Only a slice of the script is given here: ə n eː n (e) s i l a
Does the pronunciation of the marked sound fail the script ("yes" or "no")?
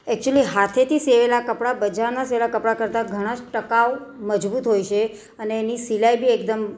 yes